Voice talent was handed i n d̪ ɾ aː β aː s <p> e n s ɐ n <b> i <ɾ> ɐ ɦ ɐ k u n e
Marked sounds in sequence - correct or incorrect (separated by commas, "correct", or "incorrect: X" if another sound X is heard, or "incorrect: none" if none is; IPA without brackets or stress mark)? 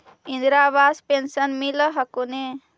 correct, incorrect: m, incorrect: l